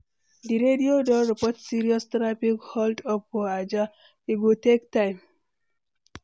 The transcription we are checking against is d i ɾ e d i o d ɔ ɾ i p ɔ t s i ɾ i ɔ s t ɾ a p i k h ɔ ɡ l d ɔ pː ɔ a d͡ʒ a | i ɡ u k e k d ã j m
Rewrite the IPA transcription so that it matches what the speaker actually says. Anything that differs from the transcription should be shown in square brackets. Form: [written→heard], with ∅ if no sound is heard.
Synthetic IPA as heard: d i ɾ e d i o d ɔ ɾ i p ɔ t s i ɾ i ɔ s t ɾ a p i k h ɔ [ɡ→∅] l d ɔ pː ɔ a d͡ʒ a | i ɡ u [k→t] e k [d→t] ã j m